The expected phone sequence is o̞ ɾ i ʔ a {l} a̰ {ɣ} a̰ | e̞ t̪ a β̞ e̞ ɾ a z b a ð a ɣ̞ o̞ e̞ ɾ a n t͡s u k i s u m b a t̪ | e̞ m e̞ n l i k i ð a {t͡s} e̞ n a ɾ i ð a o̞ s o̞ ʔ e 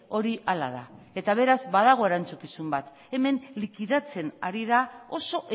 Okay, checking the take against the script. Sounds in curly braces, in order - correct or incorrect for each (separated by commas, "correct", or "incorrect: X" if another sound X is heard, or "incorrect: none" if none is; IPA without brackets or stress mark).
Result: correct, incorrect: ð, correct